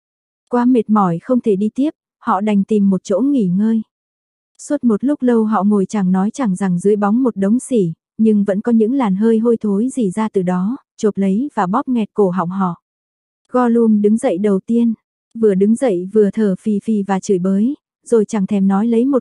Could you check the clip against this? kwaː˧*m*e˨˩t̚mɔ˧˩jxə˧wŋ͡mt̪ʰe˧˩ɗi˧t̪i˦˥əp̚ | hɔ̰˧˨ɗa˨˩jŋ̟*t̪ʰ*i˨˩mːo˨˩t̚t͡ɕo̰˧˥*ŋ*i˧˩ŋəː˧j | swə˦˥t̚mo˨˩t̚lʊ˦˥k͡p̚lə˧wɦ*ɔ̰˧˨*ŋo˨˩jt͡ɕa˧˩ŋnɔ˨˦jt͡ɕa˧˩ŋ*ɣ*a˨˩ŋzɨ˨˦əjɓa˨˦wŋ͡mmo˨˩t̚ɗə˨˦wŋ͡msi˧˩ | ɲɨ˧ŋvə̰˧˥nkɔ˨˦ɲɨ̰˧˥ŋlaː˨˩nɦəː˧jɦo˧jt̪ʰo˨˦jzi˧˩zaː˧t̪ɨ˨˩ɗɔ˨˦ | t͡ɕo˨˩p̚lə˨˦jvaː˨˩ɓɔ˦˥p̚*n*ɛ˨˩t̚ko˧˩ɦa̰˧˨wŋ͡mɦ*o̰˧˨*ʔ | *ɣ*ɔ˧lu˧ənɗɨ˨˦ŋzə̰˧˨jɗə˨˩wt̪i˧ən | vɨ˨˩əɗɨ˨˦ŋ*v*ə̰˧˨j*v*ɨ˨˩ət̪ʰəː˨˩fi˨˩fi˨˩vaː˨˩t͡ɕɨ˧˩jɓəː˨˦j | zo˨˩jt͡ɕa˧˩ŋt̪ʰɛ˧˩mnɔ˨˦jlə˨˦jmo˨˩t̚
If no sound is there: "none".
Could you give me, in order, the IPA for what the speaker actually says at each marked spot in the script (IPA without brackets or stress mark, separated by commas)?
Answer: m, t̪, ŋ, ɔ̰˧˨, z, ŋ, ɔ̰˧˨, ɣ, z, v